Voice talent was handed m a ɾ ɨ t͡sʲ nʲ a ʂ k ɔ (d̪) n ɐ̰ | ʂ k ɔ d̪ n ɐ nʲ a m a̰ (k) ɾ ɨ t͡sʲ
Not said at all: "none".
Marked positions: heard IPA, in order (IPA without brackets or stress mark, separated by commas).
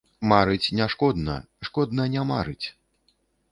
d̪, none